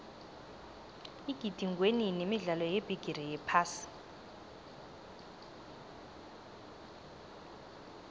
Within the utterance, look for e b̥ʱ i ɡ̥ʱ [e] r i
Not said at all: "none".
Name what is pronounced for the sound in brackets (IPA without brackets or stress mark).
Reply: i